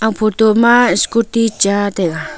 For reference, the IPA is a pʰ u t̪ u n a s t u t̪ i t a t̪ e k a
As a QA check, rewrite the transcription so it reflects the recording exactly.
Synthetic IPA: a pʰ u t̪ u m a s k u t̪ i t͡ʃ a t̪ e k a